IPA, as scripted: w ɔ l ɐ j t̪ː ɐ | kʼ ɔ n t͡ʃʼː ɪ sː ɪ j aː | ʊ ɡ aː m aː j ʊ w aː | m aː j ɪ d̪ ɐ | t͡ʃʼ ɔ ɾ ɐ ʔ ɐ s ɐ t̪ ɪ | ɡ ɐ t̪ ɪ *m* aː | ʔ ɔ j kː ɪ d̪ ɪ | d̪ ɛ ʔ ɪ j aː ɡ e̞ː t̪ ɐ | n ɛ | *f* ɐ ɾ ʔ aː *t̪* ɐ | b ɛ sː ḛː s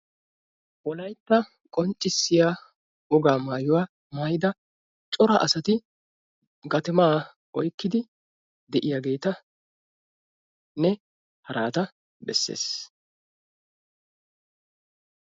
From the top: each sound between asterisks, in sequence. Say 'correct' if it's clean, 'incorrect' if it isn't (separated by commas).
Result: correct, incorrect, correct